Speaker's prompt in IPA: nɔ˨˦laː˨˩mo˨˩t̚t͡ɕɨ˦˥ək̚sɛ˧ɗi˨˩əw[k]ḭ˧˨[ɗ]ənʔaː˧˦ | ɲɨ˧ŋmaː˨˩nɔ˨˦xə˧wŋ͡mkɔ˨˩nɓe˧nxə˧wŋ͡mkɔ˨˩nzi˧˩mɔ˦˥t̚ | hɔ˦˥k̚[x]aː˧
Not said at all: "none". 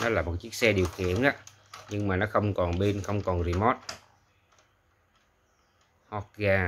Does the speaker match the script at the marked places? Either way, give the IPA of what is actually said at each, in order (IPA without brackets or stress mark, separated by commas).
x, none, ɣ